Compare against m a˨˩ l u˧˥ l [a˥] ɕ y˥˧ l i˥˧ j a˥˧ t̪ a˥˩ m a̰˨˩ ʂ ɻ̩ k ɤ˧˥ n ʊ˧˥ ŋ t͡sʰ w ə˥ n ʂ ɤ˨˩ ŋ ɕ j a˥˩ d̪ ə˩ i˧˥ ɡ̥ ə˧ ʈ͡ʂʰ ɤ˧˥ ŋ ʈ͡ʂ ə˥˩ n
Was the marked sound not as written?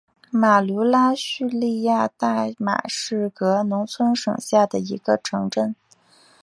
no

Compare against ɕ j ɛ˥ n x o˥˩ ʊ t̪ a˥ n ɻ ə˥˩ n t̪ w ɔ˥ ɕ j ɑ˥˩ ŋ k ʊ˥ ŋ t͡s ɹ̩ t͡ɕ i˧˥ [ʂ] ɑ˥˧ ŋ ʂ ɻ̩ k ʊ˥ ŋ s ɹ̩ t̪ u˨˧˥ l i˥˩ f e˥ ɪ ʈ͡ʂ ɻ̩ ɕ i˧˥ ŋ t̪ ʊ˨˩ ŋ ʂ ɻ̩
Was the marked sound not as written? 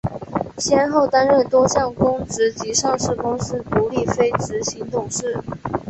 no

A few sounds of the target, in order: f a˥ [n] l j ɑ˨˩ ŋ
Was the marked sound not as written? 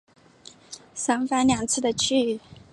no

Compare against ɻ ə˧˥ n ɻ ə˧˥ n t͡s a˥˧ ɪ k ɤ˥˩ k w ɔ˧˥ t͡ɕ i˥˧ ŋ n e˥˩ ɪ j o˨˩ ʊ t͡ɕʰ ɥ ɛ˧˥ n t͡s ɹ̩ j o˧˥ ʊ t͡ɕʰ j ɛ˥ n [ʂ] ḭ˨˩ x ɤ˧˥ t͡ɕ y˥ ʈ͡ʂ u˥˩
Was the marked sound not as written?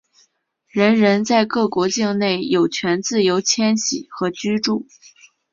yes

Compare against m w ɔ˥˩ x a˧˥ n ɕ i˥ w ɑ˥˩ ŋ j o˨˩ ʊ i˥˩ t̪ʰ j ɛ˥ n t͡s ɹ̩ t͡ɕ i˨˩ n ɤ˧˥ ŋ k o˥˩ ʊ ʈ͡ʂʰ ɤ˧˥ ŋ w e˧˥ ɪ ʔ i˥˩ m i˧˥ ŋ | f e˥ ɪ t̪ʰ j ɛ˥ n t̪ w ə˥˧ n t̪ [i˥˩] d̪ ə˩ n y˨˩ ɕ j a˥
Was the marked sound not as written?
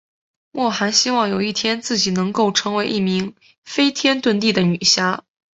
no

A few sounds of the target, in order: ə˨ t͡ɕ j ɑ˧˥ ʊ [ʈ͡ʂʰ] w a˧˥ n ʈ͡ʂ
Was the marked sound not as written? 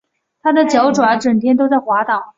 yes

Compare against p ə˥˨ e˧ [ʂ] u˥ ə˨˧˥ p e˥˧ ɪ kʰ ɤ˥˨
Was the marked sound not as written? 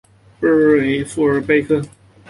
yes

